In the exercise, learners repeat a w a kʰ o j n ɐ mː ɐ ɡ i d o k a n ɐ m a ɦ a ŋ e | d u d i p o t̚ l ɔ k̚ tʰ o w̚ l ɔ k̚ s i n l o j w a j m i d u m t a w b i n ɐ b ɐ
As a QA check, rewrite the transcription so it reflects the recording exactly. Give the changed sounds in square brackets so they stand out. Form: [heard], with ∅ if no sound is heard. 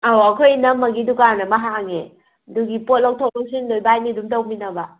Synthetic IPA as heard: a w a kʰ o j n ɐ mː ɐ ɡ i d [u] k a n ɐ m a ɦ a ŋ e | d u [ɡ] i p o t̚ l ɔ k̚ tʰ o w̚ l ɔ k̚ s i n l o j [b] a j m i d u m t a w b i n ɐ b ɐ